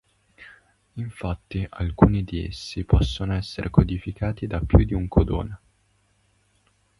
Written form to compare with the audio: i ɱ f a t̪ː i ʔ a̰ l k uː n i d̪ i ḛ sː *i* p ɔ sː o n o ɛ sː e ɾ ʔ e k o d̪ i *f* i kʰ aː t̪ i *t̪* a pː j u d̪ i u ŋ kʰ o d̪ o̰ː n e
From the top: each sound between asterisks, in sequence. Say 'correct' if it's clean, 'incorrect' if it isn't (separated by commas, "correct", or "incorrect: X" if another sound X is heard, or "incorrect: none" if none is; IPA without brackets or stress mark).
correct, correct, incorrect: d̪